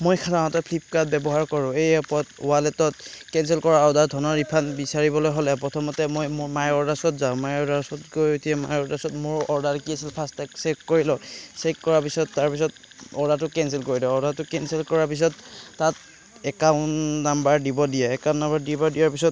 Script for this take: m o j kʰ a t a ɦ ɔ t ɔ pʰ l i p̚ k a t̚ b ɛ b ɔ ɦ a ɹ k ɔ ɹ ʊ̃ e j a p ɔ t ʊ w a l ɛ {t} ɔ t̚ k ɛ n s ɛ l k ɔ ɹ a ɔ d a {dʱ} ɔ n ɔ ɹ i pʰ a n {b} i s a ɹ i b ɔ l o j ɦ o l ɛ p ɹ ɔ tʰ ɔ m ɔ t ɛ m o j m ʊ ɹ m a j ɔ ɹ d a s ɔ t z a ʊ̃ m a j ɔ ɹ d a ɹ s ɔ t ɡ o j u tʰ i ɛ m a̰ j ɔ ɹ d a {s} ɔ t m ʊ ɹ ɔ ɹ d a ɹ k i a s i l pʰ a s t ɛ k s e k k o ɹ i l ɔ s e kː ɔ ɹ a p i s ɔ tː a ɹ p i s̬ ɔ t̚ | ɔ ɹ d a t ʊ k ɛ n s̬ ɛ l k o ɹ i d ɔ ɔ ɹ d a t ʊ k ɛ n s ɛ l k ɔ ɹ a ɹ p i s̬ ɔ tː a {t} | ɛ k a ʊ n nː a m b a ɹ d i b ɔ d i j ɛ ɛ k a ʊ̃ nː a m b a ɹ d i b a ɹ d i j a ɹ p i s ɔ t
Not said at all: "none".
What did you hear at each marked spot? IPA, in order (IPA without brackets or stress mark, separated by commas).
t, dʱ, b, s, t